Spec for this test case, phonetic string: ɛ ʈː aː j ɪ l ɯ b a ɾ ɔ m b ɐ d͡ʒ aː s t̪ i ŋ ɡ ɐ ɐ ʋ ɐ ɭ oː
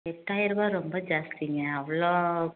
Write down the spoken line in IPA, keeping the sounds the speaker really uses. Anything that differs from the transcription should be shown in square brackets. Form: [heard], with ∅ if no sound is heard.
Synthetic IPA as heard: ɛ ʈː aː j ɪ [ɾ] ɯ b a ɾ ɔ m b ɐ d͡ʒ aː s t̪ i ŋ ɡ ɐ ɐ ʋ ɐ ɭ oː